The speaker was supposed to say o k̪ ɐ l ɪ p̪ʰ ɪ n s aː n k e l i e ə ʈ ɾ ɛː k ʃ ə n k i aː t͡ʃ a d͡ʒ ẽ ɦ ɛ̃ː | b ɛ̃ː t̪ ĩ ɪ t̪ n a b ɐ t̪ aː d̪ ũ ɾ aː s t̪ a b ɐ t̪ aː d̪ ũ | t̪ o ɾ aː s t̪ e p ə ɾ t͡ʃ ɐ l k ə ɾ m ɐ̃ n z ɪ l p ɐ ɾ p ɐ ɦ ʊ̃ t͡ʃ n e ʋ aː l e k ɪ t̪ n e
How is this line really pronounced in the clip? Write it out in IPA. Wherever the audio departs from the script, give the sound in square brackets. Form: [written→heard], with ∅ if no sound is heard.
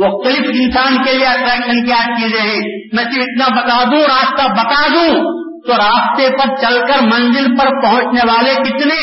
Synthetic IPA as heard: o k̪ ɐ l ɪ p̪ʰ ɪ n s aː n k e l i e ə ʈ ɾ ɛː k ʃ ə n k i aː t͡ʃ [a→i] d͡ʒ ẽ ɦ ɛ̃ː | [b→m] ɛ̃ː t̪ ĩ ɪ t̪ n a b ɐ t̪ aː d̪ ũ ɾ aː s t̪ a b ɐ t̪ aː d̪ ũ | t̪ o ɾ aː s t̪ e p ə ɾ t͡ʃ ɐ l k ə ɾ m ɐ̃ n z ɪ l p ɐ ɾ p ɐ ɦ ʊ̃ t͡ʃ n e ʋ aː l e k ɪ t̪ n e